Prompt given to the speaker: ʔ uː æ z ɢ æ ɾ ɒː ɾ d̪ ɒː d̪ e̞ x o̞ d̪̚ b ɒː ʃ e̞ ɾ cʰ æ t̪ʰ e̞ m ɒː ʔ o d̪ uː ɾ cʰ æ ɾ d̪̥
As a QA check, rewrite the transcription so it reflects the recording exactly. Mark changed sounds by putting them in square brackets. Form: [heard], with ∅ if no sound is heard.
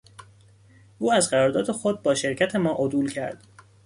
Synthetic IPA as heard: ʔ uː æ z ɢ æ ɾ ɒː ɾ d̪ ɒː d̪ e̞ x o̞ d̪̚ b ɒː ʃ e̞ ɾ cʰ æ t̪ʰ e̞ m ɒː ʔ o d̪ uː [l] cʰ æ ɾ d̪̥